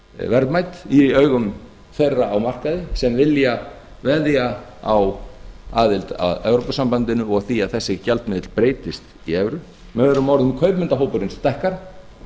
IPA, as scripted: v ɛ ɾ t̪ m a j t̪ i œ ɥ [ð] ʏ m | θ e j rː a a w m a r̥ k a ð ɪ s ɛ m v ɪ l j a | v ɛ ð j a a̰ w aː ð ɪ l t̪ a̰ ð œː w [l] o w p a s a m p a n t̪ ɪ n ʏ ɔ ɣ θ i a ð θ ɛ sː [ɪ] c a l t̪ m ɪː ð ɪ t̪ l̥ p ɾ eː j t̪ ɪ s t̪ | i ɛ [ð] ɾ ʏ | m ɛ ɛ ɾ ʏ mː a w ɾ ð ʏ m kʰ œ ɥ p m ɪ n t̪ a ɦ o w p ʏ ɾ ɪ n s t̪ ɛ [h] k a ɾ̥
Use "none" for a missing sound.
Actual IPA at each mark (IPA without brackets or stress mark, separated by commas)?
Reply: ɣ, ɾ, ɪ, v, h